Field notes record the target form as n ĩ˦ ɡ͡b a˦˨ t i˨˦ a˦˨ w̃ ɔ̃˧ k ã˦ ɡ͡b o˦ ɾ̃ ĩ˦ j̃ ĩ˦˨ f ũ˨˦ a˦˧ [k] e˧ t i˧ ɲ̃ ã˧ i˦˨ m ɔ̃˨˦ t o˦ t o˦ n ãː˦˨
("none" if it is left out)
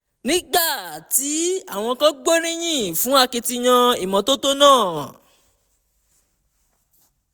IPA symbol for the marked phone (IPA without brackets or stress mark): k